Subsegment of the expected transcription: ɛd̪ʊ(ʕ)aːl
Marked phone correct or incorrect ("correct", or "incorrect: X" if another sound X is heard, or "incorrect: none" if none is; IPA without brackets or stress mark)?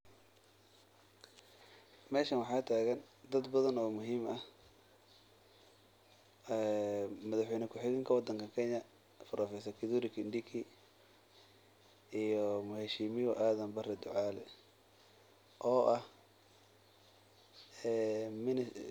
correct